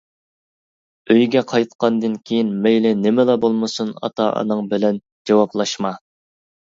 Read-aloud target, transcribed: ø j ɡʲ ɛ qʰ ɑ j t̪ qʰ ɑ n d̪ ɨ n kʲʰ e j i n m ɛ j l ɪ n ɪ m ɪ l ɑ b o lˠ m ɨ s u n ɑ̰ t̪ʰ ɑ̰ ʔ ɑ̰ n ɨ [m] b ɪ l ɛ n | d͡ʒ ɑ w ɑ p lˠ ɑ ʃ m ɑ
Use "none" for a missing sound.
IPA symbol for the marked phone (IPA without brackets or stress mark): ŋ